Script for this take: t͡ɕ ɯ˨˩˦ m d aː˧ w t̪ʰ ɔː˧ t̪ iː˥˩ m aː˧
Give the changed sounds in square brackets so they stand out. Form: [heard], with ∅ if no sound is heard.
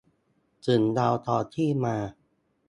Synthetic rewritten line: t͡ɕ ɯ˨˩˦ [n] d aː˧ w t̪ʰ ɔː˧ [t̪ʰ] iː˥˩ m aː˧